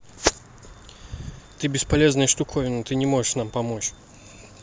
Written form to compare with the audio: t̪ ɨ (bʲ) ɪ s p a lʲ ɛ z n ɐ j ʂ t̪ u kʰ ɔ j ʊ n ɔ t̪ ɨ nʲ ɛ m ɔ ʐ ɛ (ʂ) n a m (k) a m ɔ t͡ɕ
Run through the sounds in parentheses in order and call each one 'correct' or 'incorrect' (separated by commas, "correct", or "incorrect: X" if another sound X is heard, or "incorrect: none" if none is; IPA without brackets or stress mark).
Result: correct, correct, incorrect: p